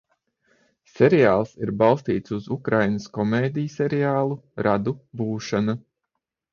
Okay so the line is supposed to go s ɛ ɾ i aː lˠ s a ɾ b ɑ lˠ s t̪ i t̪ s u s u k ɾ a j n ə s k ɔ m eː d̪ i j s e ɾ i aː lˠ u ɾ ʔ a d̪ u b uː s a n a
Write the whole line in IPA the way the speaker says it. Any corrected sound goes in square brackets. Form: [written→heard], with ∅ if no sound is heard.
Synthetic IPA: s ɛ ɾ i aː lˠ s [a→i] ɾ b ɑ lˠ s t̪ [i→iː] t̪ s u [s→z] u k ɾ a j n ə s k ɔ m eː d̪ i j s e ɾ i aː lˠ u ɾ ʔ a d̪ u b uː [s→ʃ] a n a